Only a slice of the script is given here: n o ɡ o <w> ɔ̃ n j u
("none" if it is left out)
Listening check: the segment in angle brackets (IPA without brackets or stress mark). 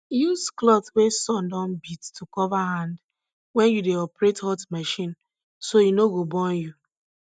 b